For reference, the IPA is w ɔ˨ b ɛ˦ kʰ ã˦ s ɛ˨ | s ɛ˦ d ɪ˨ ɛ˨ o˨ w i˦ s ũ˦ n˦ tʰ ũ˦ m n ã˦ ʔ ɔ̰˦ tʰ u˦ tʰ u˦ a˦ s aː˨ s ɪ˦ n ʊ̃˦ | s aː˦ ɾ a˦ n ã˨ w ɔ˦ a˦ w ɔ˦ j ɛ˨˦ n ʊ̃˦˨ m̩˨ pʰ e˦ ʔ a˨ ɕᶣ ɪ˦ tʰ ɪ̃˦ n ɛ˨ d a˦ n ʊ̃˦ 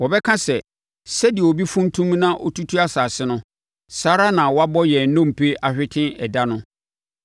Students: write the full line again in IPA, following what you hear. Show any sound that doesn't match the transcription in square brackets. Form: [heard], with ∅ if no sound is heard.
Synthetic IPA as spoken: w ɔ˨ b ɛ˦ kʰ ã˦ s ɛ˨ | s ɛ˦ d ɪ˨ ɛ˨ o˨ [b] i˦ [f] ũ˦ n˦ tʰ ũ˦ m n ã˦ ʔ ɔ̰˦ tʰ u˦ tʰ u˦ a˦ s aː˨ s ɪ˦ n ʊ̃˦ | s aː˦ ɾ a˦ n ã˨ w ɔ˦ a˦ [b] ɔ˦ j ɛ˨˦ n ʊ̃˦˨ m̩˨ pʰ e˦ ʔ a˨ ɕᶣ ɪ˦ tʰ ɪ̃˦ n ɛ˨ d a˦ n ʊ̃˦